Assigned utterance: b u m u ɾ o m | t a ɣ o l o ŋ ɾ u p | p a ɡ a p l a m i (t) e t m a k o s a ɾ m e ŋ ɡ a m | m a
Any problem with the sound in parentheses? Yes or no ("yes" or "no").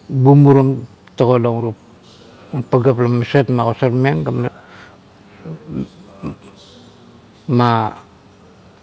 yes